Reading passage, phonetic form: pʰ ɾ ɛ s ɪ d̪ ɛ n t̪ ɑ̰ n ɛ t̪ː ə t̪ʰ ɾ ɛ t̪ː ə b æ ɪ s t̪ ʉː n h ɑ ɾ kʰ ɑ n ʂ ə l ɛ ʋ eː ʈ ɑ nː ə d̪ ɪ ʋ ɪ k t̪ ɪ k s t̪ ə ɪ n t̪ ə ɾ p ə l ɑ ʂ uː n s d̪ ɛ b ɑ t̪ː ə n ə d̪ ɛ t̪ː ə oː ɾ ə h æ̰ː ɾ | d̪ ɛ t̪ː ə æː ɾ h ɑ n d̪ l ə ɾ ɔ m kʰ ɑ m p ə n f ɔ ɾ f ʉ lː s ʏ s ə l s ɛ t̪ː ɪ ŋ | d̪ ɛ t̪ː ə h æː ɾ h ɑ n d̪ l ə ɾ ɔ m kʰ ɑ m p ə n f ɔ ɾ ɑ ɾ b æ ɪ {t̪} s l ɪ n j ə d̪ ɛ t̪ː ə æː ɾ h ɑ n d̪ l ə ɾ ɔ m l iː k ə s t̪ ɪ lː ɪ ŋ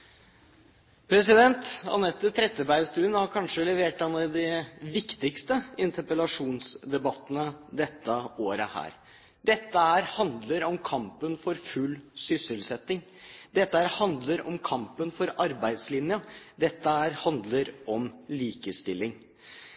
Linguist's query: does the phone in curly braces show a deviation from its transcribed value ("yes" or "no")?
yes